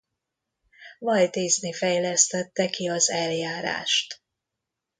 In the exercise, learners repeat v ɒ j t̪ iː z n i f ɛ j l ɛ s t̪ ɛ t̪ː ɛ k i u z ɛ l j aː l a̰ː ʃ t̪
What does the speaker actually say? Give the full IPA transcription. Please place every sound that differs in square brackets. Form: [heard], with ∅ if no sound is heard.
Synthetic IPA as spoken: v ɒ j t̪ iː z n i f ɛ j l ɛ s t̪ ɛ t̪ː ɛ k i [ɒ] z ɛ l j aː [ɾ] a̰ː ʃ t̪